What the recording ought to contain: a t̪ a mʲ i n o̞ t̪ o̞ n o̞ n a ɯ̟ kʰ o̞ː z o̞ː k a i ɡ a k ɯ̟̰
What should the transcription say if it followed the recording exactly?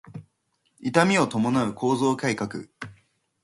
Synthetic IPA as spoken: i t̪ a mʲ i o̞ t̪ o̞ m o̞ n a ɯ̟ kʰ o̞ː z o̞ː k a i k a k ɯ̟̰